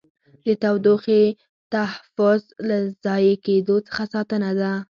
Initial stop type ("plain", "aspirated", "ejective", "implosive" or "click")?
plain